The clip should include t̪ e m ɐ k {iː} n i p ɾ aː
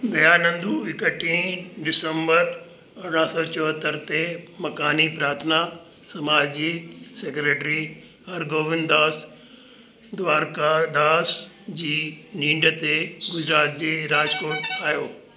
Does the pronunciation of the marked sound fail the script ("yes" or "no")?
yes